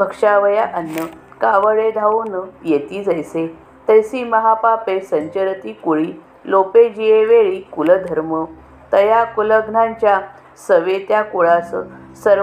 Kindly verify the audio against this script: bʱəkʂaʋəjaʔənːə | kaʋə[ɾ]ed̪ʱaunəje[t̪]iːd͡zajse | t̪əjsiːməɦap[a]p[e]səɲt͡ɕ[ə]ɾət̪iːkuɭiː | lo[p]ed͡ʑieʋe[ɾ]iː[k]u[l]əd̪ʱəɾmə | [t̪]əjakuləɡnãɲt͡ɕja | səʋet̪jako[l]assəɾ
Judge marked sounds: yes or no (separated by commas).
no, yes, yes, yes, yes, yes, no, yes, yes, yes, no